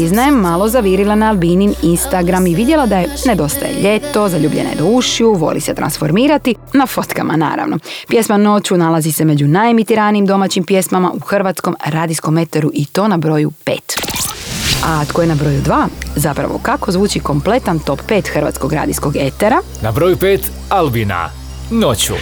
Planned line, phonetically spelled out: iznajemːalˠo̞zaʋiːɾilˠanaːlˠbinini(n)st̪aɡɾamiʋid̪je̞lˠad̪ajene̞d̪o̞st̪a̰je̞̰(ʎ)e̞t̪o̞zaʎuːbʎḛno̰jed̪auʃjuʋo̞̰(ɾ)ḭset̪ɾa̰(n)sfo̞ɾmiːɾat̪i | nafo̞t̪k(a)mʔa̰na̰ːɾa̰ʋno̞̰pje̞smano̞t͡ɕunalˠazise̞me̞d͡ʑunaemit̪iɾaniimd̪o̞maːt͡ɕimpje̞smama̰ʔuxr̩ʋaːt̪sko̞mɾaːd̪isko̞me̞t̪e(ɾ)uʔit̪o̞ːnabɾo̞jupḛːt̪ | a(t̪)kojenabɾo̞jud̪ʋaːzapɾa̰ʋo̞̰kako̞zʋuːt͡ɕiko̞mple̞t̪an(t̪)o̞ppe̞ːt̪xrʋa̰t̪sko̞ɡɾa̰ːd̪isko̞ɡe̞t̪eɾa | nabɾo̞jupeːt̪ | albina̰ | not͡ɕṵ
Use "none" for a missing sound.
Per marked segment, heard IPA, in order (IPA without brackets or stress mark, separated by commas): n, ʎ, l, n, a, ɾ, t̪, t̪